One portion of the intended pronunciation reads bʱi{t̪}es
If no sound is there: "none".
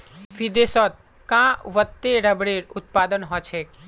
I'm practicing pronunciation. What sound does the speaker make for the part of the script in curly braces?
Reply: d̪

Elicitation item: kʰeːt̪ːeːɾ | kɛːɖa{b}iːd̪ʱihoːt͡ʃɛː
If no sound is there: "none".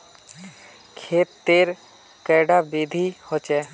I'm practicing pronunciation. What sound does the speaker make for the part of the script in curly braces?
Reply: b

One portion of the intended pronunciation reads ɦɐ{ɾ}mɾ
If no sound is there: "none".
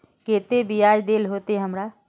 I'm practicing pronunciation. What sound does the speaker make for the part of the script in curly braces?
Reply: none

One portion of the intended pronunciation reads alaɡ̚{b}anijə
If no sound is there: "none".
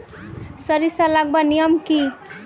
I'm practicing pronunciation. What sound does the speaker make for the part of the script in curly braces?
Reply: b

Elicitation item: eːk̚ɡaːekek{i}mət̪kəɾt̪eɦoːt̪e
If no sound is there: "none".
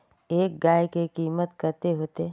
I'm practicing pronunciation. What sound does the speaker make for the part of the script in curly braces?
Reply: iː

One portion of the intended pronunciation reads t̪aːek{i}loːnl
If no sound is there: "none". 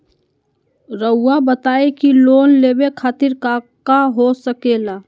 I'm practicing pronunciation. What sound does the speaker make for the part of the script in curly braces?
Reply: i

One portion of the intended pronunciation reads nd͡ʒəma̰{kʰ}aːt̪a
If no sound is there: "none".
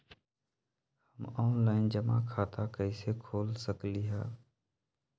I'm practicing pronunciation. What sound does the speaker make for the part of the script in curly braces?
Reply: kʰ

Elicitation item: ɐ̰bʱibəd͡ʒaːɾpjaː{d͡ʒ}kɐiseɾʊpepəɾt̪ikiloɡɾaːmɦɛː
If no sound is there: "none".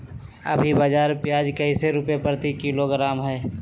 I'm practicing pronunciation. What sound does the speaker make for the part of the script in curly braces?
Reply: d͡ʒ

